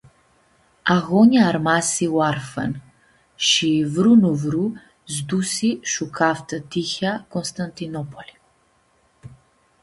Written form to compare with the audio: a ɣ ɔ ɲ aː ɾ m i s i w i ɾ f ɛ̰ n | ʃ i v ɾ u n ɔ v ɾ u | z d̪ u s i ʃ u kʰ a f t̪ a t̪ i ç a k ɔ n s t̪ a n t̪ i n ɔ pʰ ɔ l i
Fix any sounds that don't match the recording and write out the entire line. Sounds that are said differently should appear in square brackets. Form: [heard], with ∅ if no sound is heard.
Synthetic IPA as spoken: a ɣ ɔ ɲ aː ɾ m [a] s i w [a] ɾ f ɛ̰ n | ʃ i v ɾ u n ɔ v ɾ u | z d̪ u s i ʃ u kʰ a f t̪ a t̪ i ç a k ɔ n s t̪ a n t̪ i n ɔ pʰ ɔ l i